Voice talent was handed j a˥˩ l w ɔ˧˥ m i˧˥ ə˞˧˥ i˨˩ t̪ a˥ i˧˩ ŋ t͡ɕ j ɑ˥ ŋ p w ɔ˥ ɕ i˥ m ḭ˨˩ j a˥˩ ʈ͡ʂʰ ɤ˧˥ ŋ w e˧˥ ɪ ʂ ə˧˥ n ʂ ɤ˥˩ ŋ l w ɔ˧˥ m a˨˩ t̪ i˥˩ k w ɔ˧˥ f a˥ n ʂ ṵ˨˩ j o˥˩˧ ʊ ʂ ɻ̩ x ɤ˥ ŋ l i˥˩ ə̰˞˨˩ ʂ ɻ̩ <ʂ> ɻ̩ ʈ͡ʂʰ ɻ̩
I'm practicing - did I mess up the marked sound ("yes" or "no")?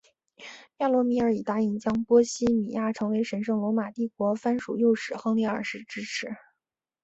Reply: yes